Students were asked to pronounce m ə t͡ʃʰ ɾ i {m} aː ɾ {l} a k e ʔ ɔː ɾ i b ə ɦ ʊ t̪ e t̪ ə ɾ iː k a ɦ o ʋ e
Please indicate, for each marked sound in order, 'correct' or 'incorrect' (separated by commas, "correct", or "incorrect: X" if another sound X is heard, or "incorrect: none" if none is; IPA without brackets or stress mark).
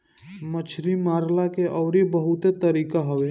correct, correct